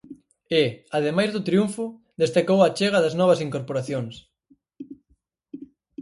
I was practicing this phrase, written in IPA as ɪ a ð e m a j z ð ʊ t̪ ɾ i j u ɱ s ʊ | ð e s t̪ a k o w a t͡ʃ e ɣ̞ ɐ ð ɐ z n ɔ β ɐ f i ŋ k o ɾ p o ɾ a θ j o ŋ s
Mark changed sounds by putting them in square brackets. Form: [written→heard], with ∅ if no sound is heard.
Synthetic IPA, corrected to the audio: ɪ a ð e m a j z ð ʊ t̪ ɾ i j u ɱ [s→f] ʊ | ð e s t̪ a k o w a t͡ʃ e ɣ̞ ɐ ð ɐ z n ɔ β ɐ [f→s] i ŋ k o ɾ p o ɾ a θ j o ŋ s